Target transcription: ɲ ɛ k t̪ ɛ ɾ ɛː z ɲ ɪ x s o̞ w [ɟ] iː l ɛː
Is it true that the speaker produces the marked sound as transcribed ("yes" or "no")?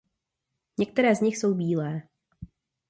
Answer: no